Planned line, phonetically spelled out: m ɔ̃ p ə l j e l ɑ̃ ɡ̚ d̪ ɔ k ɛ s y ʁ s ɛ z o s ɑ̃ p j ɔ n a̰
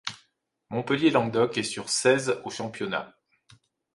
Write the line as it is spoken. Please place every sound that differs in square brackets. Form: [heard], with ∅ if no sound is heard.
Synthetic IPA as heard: m ɔ̃ p ə l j e l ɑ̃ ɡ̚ d̪ ɔ k ɛ s y ʁ s ɛ z o [ʃ] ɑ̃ p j ɔ n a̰